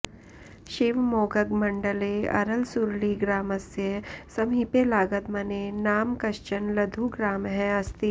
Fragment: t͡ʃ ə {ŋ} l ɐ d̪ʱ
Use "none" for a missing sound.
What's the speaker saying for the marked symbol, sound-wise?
n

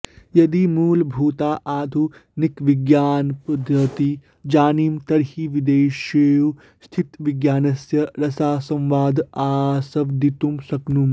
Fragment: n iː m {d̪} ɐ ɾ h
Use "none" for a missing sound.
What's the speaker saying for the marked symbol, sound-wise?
t̪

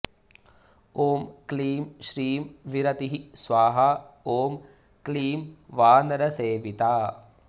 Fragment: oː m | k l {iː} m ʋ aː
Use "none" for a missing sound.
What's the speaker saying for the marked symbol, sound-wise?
iː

